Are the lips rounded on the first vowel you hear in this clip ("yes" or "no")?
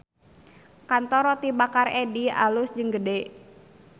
no